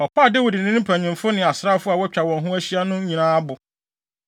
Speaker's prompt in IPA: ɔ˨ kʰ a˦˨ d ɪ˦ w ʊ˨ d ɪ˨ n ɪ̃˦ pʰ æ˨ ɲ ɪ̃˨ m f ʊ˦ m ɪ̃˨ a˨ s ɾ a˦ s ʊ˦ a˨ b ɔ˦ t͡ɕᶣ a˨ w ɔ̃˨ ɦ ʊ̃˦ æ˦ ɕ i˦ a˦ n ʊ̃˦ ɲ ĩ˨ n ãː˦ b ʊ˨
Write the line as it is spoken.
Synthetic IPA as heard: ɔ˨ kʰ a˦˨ d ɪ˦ w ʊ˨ d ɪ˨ n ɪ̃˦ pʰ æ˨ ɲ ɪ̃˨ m f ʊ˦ n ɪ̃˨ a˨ s ɾ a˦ f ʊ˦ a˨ w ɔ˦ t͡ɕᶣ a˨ w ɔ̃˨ ɦ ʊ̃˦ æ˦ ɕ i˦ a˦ n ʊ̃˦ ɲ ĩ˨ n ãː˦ b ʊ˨